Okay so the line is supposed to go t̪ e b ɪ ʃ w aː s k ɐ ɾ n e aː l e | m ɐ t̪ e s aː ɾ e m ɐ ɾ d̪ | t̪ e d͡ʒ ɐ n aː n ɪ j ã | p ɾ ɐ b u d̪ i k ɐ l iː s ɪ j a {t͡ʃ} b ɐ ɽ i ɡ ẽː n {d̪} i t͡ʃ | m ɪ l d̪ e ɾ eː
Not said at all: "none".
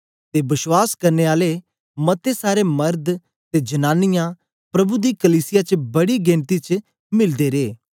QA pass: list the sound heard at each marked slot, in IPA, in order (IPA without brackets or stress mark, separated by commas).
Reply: t͡ʃ, t̪